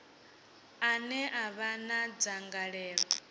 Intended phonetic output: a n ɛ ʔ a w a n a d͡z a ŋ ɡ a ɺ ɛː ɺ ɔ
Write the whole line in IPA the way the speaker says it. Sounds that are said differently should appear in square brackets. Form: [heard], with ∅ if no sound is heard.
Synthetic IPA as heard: a n ɛ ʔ a [β] a n a d͡z a ŋ ɡ a ɺ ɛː ɺ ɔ

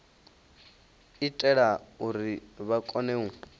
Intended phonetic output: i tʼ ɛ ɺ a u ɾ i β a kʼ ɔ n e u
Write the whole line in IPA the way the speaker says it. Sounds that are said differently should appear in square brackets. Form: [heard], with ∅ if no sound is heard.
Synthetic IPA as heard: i tʼ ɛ ɺ a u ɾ i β a kʼ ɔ n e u

